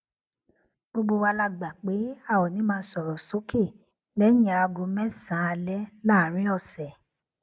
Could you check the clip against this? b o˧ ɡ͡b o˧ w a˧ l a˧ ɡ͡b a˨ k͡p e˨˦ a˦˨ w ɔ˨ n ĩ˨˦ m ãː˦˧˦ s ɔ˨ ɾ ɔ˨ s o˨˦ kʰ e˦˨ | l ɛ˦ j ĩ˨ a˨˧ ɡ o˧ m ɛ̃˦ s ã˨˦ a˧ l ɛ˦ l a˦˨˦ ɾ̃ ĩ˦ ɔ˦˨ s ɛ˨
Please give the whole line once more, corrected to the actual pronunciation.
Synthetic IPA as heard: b o˧ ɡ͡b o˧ w a˧ l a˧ ɡ͡b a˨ k͡p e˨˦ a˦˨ w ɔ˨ n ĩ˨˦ m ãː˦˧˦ s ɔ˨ ɾ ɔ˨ s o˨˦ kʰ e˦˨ | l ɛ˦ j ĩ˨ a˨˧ ɡ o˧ m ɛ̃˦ s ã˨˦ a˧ l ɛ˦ l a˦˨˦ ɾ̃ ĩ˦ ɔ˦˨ s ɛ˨